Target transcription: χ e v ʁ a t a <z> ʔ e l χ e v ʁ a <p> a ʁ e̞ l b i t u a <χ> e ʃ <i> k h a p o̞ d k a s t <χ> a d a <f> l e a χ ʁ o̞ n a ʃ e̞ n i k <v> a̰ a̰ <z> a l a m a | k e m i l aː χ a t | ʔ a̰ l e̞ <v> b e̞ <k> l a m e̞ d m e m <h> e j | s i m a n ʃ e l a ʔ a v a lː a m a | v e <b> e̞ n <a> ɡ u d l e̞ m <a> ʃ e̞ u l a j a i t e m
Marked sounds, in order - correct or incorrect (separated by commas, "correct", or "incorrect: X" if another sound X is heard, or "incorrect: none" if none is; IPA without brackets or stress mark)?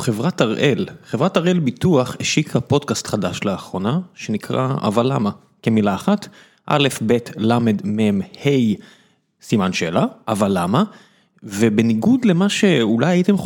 incorrect: ʁ, incorrect: t, correct, correct, correct, incorrect: ʃ, incorrect: ʁ, incorrect: v, incorrect: f, incorrect: t, correct, correct, incorrect: i, correct